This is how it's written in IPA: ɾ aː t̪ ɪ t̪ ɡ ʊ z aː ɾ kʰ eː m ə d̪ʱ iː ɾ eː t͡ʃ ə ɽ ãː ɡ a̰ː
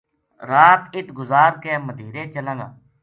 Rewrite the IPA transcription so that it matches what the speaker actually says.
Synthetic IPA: ɾ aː t̪ ɪ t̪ ɡ ʊ z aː ɾ k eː m ə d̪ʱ iː ɾ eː t͡ʃ ə l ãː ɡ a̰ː